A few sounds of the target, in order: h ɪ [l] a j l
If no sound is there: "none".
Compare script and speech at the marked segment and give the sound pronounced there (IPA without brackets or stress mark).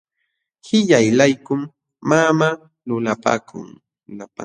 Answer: ʎ